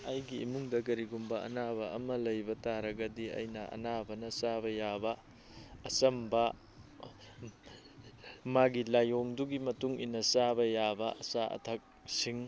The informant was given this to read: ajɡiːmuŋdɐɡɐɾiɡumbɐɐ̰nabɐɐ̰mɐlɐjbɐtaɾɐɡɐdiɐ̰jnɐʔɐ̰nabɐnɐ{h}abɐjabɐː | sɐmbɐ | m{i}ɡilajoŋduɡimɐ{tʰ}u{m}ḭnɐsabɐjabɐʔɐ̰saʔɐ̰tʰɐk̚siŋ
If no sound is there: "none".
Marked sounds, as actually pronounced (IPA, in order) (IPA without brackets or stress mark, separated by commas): s, a, t, ŋ